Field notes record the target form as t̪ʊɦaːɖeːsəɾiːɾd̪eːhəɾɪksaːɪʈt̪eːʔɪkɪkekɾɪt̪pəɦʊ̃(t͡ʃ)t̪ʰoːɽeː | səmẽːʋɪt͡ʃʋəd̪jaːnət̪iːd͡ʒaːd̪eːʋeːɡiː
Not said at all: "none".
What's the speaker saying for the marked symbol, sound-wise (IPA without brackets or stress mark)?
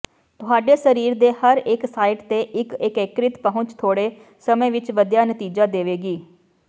t͡ʃ